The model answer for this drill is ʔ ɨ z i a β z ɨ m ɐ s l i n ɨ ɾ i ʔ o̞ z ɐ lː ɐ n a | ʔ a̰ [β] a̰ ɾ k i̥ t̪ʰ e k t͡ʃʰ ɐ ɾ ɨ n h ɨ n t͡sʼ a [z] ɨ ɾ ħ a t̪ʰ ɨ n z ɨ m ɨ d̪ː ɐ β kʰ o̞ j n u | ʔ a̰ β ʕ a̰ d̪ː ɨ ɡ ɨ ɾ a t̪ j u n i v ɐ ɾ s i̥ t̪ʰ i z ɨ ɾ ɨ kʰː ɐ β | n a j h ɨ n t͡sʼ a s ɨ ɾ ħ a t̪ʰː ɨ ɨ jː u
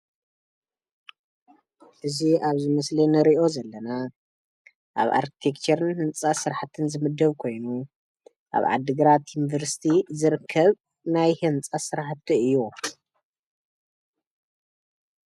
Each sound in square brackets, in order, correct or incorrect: correct, incorrect: s

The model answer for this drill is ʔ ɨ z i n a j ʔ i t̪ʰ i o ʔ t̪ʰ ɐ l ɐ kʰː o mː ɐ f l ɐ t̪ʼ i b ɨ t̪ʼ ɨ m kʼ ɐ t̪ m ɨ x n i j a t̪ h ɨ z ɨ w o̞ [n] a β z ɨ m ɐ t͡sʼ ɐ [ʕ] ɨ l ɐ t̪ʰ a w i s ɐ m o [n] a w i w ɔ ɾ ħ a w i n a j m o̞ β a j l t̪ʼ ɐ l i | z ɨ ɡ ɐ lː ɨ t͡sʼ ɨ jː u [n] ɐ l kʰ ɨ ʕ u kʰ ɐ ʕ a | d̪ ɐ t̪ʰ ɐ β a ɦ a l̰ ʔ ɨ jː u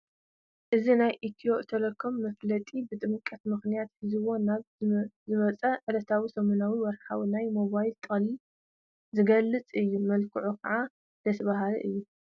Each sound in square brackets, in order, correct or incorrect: correct, correct, correct, incorrect: m

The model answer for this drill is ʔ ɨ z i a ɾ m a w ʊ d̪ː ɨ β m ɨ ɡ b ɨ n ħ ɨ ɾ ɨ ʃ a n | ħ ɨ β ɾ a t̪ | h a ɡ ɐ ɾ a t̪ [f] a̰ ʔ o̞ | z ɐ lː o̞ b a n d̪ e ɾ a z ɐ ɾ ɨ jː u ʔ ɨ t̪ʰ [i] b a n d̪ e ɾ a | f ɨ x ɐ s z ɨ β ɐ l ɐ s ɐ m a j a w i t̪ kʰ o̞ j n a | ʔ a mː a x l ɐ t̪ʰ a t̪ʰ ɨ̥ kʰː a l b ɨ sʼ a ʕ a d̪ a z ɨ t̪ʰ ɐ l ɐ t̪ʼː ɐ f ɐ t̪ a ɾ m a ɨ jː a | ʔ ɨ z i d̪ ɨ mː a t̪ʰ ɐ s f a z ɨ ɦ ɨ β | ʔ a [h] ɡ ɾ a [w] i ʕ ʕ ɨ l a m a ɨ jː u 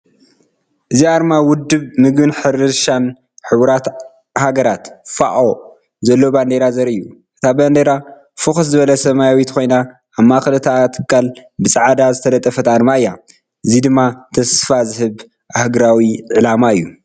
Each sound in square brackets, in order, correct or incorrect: correct, incorrect: a, correct, correct

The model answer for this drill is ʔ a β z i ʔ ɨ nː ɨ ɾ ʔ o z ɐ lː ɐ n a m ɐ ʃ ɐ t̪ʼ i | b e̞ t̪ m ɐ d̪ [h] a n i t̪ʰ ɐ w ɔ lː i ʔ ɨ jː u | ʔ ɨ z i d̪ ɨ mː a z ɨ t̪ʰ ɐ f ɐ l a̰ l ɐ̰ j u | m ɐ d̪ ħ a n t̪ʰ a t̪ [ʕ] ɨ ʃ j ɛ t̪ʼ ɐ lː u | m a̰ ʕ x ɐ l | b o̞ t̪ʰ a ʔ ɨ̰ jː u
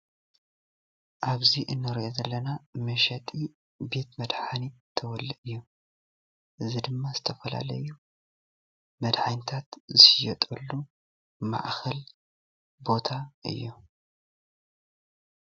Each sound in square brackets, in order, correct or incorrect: incorrect: ħ, incorrect: z

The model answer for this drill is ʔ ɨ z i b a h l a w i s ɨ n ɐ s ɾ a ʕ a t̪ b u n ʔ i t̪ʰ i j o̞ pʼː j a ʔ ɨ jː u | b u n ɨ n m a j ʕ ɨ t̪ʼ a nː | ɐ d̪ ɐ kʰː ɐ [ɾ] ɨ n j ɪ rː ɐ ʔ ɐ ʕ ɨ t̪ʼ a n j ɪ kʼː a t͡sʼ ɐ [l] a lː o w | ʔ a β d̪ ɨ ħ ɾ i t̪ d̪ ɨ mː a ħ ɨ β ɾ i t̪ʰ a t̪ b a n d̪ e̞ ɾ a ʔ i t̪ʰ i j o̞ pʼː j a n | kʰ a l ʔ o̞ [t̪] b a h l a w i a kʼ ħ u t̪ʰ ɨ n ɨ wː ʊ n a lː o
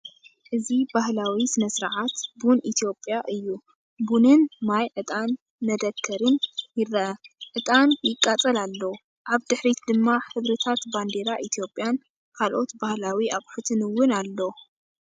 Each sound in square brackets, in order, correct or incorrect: correct, correct, correct

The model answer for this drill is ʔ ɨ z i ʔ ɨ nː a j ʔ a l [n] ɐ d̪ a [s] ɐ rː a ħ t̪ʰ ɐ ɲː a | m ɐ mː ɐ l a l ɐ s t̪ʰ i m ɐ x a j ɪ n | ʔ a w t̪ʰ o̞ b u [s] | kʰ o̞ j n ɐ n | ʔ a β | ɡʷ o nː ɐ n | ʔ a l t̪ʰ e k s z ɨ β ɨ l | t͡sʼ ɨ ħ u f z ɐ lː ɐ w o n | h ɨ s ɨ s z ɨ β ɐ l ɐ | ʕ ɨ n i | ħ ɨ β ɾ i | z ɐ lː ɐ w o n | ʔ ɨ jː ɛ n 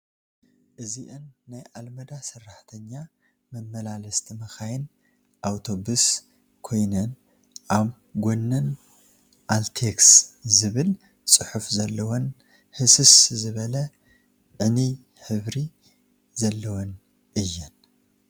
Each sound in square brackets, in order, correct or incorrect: incorrect: m, correct, correct

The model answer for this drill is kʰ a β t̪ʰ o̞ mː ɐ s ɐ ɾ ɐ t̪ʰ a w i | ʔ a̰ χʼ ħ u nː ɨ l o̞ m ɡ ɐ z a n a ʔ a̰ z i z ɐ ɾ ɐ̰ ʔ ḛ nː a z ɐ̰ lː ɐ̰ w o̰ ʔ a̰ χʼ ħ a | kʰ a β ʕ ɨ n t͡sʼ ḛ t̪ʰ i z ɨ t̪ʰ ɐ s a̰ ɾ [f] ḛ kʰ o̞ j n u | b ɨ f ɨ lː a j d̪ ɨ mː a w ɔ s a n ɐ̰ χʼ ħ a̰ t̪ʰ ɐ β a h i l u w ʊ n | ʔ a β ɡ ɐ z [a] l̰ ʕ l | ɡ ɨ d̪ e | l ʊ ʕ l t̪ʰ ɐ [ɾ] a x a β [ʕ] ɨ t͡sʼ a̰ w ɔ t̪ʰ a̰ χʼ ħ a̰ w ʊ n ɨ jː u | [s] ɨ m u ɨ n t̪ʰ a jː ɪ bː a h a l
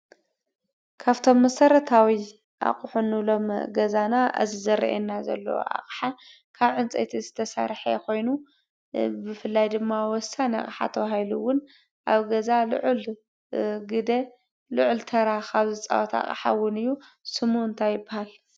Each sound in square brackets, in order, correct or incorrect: incorrect: ħ, correct, correct, incorrect: z, correct

